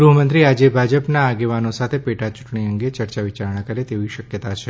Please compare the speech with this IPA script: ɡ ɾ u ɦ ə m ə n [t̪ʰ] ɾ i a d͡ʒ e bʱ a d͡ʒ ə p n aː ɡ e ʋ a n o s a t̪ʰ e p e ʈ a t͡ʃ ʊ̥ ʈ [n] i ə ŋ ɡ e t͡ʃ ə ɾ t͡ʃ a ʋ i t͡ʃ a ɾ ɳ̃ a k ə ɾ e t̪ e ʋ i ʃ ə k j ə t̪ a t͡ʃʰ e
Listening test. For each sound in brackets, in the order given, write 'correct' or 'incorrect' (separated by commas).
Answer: incorrect, incorrect